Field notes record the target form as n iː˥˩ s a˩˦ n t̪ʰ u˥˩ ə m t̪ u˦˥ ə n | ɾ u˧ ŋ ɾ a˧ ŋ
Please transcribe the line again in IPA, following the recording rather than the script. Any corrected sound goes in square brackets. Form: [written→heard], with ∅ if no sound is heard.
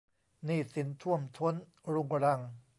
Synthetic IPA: n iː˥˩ s [a˩˦→i˩˦] n t̪ʰ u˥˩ ə m [t̪→t̪ʰ] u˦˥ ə n | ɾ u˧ ŋ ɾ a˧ ŋ